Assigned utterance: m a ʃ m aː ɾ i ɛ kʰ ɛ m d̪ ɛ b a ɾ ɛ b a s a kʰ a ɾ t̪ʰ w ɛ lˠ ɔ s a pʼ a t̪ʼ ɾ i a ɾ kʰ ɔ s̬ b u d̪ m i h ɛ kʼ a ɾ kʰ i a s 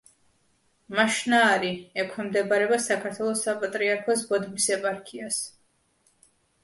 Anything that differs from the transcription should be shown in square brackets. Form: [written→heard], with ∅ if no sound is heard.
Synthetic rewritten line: m a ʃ [m→n] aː ɾ i ɛ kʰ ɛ m d̪ ɛ b a ɾ ɛ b a s a kʰ a ɾ t̪ʰ w ɛ lˠ ɔ s a pʼ a t̪ʼ ɾ i a ɾ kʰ ɔ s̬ b [u→ɔ] d̪ m i [h→s] ɛ [kʼ→pʼ] a ɾ kʰ i a s